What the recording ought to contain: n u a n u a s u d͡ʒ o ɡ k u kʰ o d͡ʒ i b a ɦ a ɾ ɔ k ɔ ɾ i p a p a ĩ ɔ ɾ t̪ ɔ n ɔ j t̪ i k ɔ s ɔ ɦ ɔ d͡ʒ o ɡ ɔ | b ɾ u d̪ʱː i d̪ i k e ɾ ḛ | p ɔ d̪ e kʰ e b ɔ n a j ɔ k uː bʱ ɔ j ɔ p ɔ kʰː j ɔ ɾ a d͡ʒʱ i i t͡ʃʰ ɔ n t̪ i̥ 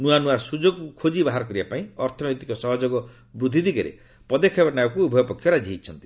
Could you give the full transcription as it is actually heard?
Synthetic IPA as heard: n u a n u a s u d͡ʒ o ɡ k u kʰ o d͡ʒ i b a ɦ a ɾ ɔ k ɔ ɾ i b a p a ĩ ɔ ɾ t̪ʰ ɔ n ɔ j t̪ i k ɔ s ɔ ɦ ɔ d͡ʒ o ɡ ɔ | b ɾ u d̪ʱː i d̪ i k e ɾ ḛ | p ɔ d̪ e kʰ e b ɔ n a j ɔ k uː bʱ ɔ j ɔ p ɔ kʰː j ɔ ɾ a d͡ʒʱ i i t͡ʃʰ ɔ n t̪ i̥